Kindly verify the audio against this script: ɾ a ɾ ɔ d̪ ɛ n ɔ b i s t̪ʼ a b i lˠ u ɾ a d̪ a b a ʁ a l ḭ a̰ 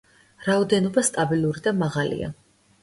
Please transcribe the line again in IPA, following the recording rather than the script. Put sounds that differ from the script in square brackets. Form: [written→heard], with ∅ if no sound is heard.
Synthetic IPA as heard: ɾ a [ɾ→∅] ɔ d̪ ɛ n ɔ b [i→a] s t̪ʼ a b i lˠ u ɾ [a→i] d̪ a [b→m] a ʁ a l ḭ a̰

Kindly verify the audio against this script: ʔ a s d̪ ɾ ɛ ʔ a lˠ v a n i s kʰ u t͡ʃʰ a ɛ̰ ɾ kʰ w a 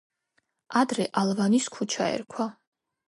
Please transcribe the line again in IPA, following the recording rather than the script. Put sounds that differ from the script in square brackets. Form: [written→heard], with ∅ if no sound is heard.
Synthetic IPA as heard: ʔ a [s→∅] d̪ ɾ ɛ ʔ a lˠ v a n i s kʰ u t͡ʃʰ a ɛ̰ ɾ kʰ w a

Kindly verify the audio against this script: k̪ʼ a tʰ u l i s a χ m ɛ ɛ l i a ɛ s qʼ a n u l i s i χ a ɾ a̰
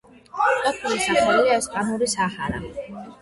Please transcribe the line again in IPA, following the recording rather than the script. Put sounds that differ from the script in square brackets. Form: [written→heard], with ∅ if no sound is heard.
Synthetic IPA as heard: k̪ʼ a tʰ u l i s a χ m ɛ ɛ l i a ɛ s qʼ a n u [l→ɾ] i s [i→a] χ a ɾ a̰

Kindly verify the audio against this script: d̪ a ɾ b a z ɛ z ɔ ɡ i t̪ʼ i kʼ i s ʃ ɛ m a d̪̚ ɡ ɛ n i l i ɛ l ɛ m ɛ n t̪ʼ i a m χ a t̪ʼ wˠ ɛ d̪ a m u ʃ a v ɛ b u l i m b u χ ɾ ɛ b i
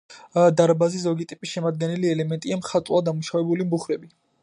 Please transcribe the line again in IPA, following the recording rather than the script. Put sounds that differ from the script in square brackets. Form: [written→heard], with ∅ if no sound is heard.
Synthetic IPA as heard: d̪ a ɾ b a z [ɛ→i] z ɔ ɡ i t̪ʼ i [kʼ→pʼ] i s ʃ ɛ m a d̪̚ ɡ ɛ n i l i ɛ l ɛ m ɛ n t̪ʼ i a m χ a t̪ʼ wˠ [ɛ→a] d̪ a m u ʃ a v ɛ b u l i m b u χ ɾ ɛ b i

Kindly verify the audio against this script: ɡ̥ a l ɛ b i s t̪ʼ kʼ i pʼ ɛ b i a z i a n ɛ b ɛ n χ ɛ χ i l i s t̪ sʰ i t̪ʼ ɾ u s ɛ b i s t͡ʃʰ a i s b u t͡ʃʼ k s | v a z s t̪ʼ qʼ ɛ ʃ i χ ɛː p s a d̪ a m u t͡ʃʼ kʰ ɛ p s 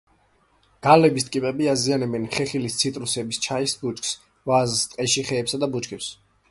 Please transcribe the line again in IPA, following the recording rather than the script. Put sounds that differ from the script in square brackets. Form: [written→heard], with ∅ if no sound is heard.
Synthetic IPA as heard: ɡ̥ a l ɛ b i s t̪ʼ kʼ i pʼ ɛ b i a z i a n ɛ b ɛ n χ ɛ χ i l i s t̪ sʰ i t̪ʼ ɾ u s ɛ b i s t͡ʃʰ a i s b u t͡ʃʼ k s | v a z s t̪ʼ qʼ ɛ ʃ i χ ɛː p s a d̪ a [m→b] u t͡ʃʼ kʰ ɛ p s

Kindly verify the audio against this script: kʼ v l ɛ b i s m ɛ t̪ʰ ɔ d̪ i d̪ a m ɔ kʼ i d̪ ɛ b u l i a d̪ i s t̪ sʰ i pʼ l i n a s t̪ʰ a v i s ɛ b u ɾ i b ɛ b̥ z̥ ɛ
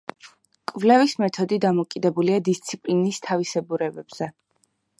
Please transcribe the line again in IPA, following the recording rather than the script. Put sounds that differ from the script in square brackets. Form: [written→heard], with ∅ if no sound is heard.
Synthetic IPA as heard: kʼ v l ɛ [b→v] i s m ɛ t̪ʰ ɔ d̪ i d̪ a m ɔ kʼ i d̪ ɛ b u l i a d̪ i s t̪ sʰ i pʼ l i n [a→i] s t̪ʰ a v i s ɛ b u ɾ [i→ɛ] b ɛ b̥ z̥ ɛ

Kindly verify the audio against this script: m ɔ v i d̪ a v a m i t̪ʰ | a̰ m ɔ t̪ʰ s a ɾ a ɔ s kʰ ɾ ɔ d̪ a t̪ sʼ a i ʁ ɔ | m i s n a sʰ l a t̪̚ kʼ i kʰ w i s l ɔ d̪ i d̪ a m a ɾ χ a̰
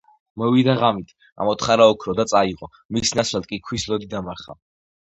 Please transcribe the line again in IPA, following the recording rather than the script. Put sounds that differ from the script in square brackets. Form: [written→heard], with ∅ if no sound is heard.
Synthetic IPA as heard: m ɔ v i d̪ a [v→ʁ] a m i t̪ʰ | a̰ m ɔ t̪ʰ [s→χ] a ɾ a ɔ [s→∅] kʰ ɾ ɔ d̪ a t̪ sʼ a i ʁ ɔ | m i s n a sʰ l a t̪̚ kʼ i kʰ w i s l ɔ d̪ i d̪ a m a ɾ χ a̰

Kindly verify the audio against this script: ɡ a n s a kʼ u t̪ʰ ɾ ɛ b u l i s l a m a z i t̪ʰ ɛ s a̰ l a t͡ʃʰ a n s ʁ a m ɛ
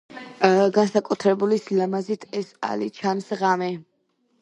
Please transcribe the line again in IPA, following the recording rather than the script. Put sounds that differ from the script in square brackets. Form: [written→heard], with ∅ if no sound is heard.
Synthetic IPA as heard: ɡ a n s a kʼ u t̪ʰ ɾ ɛ b u l i s l a m a z i t̪ʰ ɛ s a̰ l [a→i] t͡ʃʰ a n s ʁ a m ɛ

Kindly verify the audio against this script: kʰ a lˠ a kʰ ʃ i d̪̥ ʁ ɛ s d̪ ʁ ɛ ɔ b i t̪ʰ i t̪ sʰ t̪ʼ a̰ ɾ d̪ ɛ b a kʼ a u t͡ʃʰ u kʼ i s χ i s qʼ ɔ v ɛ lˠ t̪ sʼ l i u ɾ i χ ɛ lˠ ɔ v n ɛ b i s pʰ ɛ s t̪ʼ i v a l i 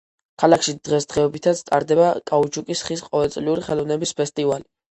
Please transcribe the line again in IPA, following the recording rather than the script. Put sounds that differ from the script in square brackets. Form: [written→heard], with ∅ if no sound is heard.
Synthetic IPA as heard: kʰ a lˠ a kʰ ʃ i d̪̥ ʁ ɛ s d̪ ʁ ɛ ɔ b i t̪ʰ [i→a] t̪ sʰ t̪ʼ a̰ ɾ d̪ ɛ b a kʼ a u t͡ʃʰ u kʼ i s χ i s qʼ ɔ v ɛ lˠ t̪ sʼ l i u ɾ i χ ɛ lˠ ɔ v n ɛ b i s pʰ ɛ s t̪ʼ i v a l i

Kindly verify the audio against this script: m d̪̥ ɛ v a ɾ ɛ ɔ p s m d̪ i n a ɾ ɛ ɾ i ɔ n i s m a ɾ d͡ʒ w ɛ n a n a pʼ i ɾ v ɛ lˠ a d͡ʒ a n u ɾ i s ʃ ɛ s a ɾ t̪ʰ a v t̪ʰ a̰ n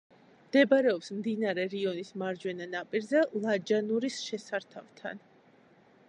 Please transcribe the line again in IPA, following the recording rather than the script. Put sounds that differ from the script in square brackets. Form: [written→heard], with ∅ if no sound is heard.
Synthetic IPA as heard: m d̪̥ ɛ [v→b] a ɾ ɛ ɔ p s m d̪ i n a ɾ ɛ ɾ i ɔ n i s m a ɾ d͡ʒ w ɛ n a n a pʼ i ɾ [v→z] ɛ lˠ a d͡ʒ a n u ɾ i s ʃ ɛ s a ɾ t̪ʰ a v t̪ʰ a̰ n

